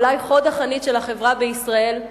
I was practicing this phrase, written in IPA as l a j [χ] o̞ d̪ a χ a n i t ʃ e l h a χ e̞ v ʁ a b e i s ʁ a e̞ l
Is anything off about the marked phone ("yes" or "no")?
no